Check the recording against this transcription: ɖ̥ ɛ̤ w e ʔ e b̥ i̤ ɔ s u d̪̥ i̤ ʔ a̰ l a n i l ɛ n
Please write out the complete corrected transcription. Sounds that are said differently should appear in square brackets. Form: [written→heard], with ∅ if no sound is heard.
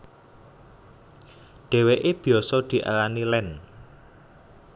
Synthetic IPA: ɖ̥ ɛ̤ w e ʔ e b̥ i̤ ɔ s [u→ɔ] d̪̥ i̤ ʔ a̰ l a n i l ɛ n